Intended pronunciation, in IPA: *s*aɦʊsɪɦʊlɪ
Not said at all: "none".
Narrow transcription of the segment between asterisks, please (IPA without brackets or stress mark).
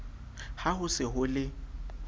h